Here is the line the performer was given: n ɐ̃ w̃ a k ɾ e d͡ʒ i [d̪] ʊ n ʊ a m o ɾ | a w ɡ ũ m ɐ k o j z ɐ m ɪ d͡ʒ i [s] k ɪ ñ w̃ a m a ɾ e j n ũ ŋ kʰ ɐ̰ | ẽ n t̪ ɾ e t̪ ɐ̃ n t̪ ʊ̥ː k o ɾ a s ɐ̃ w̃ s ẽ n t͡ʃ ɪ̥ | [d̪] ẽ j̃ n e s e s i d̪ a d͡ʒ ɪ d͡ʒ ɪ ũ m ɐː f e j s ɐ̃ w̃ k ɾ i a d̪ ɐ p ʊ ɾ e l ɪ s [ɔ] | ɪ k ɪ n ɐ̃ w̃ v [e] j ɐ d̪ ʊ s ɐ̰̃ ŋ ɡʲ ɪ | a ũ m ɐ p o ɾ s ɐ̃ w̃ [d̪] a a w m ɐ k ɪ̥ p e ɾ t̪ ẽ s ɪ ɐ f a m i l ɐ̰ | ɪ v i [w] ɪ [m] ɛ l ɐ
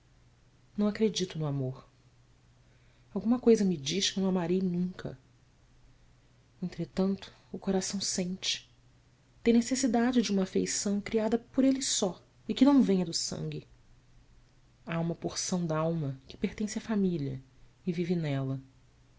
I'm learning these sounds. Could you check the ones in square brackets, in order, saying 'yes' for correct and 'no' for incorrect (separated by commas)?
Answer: no, no, no, yes, no, yes, no, no